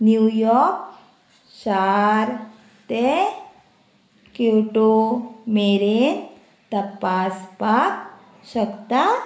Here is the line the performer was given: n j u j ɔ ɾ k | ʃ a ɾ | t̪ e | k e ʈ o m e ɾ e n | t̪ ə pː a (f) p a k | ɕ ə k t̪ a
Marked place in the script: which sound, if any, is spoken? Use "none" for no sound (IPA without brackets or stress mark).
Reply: s